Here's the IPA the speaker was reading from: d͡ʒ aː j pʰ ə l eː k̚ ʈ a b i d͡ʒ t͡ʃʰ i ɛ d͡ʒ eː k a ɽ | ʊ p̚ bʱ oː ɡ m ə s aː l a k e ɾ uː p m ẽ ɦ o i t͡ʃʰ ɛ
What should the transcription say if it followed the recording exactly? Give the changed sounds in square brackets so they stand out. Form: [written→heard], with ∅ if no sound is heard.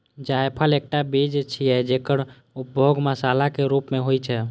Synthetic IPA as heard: d͡ʒ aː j pʰ ə l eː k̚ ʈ a b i d͡ʒ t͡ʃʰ i ɛ d͡ʒ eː k [a→ə] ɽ | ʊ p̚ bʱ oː ɡ m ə s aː l a k e ɾ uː p m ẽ ɦ o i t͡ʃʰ ɛ